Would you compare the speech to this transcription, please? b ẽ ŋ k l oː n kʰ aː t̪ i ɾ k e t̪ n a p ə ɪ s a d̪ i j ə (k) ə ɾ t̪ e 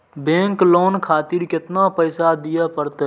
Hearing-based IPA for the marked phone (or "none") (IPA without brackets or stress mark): p